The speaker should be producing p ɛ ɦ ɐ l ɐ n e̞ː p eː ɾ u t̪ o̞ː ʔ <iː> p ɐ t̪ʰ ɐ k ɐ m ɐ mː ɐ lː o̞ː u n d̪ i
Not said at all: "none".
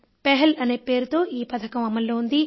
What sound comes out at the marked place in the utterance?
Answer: iː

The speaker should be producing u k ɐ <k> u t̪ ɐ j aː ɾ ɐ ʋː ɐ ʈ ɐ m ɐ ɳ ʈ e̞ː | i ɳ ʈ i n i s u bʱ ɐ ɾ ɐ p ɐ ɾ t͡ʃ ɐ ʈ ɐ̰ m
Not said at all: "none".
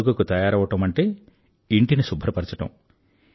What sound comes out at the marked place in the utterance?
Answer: k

